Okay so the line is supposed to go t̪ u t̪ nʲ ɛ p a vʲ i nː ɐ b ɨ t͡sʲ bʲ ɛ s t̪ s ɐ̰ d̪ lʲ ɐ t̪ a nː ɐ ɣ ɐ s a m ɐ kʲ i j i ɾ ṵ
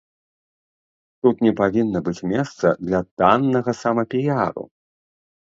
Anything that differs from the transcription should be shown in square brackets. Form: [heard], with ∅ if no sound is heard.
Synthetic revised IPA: t̪ u t̪ nʲ ɛ p a vʲ i nː ɐ b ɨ t͡sʲ [mʲ] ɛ s t̪ s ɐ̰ d̪ lʲ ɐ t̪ a nː ɐ ɣ ɐ s a m ɐ [pʲ] i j [a] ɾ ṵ

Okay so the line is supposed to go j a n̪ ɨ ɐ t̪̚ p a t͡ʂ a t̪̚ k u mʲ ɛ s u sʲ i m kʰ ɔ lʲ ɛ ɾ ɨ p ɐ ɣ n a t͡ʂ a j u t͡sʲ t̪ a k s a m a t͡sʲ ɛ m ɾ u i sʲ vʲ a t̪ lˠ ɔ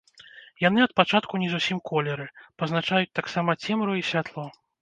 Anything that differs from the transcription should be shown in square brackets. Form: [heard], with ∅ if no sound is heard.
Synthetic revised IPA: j a n̪ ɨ ɐ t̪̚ p a t͡ʂ a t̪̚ k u [nʲ] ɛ [z] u sʲ i m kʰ ɔ lʲ ɛ ɾ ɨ p ɐ [z] n a t͡ʂ a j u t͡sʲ t̪ a k s a m [ɐ] t͡sʲ ɛ m ɾ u i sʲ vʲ a t̪ lˠ ɔ

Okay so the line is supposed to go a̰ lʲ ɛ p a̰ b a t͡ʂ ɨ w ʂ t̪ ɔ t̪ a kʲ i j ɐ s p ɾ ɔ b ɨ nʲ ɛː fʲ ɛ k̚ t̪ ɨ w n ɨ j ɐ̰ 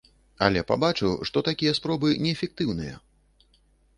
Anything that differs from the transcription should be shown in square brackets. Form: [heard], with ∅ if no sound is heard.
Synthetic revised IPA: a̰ lʲ ɛ p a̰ b a t͡ʂ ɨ w ʂ t̪ ɔ t̪ a kʲ i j ɐ s p ɾ ɔ b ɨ nʲ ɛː fʲ ɛ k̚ t̪ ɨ w n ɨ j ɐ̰

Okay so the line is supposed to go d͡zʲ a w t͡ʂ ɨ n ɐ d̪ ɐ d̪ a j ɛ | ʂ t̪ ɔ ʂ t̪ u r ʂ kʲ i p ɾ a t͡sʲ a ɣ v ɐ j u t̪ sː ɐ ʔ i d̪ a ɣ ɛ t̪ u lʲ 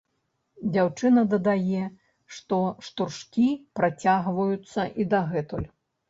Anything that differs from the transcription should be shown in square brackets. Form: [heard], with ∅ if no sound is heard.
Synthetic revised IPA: d͡zʲ a w t͡ʂ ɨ n ɐ d̪ ɐ d̪ a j ɛ | ʂ t̪ ɔ ʂ t̪ u r ʂ kʲ i p ɾ a t͡sʲ a ɣ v ɐ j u t̪ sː ɐ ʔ i d̪ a ɣ ɛ t̪ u lʲ

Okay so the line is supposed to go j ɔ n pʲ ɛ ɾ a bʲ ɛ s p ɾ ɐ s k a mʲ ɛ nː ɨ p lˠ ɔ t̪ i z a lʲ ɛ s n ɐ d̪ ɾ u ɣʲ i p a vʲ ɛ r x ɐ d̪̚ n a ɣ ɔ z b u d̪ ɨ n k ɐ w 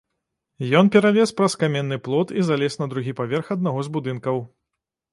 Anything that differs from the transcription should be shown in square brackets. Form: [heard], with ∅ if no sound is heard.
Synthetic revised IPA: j ɔ n pʲ ɛ ɾ a [vʲ] ɛ s p ɾ ɐ s k a mʲ ɛ nː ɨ p lˠ ɔ t̪ i z a lʲ ɛ s n ɐ d̪ ɾ u ɣʲ i p a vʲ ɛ r x ɐ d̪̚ n a ɣ ɔ z b u d̪ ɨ n k ɐ w

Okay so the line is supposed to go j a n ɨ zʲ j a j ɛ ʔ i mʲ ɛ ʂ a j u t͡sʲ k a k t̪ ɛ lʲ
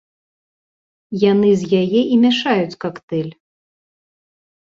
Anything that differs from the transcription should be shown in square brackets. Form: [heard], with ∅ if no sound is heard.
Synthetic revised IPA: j a n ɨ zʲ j a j ɛ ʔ i mʲ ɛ ʂ a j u t͡sʲ k a k t̪ ɛ lʲ

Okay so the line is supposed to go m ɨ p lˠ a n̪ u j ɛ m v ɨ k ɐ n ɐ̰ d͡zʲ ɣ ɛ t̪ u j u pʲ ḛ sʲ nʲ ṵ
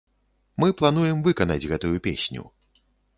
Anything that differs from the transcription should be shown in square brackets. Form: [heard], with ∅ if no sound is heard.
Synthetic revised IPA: m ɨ p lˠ a n̪ u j ɛ m v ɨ k ɐ n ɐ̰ d͡zʲ ɣ ɛ t̪ u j u pʲ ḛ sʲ nʲ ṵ

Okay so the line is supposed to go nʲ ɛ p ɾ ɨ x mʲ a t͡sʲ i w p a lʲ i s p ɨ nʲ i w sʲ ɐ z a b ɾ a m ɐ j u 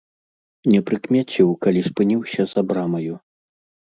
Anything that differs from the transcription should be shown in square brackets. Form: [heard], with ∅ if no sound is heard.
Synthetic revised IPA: nʲ ɛ p ɾ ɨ [k] mʲ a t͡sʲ i w [k] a lʲ i s p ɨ nʲ i w sʲ ɐ z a b ɾ a m ɐ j u

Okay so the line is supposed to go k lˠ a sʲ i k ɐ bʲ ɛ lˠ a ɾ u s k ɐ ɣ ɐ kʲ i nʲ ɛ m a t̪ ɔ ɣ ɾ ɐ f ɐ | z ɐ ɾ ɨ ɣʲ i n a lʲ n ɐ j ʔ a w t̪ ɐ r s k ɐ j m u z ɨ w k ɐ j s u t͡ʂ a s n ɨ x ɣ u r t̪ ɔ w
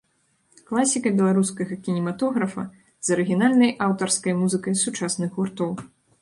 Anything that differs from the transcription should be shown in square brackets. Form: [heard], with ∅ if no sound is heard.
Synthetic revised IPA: k lˠ a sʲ i k ɐ bʲ ɛ lˠ a ɾ u s k ɐ ɣ ɐ kʲ i nʲ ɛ m a t̪ ɔ ɣ ɾ ɐ f ɐ | z ɐ ɾ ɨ ɣʲ i n a lʲ n ɐ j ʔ a w t̪ ɐ r s k ɐ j m u z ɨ [∅] k ɐ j s u t͡ʂ a s n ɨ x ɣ u r t̪ ɔ w

